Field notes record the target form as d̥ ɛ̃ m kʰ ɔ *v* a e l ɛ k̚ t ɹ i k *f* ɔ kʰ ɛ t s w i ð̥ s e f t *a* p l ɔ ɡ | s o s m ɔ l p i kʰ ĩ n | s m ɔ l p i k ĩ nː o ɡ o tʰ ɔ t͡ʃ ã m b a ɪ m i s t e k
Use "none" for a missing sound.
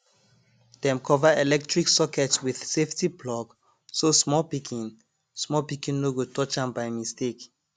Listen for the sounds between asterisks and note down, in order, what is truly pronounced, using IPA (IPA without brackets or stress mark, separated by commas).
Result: v, s, i